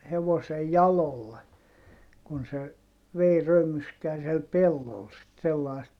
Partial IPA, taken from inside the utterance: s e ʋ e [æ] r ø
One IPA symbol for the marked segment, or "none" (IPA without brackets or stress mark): i